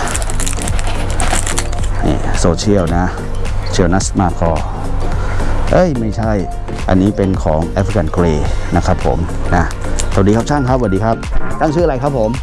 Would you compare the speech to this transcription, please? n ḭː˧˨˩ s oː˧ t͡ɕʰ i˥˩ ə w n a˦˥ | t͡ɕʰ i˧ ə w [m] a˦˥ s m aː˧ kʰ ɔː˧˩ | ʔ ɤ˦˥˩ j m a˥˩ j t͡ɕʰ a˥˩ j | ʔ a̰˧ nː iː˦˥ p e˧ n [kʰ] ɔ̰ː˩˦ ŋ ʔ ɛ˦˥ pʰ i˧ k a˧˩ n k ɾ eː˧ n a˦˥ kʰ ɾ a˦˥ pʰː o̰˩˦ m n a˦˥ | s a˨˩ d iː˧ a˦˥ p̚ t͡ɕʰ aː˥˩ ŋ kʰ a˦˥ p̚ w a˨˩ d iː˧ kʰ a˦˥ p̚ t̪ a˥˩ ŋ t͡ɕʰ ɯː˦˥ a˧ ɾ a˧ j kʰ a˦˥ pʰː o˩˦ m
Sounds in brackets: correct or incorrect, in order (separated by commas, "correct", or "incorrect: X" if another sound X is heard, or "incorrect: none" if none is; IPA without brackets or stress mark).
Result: incorrect: n, correct